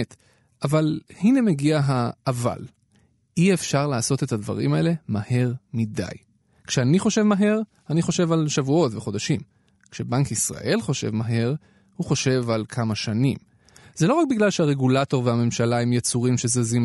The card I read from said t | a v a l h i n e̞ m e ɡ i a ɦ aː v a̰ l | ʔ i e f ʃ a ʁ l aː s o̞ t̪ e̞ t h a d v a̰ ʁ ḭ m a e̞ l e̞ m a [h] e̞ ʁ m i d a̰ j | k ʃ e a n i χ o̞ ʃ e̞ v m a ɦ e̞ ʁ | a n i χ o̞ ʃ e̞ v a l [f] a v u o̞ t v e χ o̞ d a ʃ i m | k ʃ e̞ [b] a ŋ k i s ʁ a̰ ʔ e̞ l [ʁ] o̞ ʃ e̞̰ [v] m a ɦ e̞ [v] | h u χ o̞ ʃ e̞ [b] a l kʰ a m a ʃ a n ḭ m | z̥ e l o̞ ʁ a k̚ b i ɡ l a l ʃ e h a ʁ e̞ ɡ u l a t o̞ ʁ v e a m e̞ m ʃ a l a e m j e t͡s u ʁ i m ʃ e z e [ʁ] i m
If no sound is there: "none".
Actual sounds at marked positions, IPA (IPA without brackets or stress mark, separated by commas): h, ʃ, b, χ, v, ʁ, v, z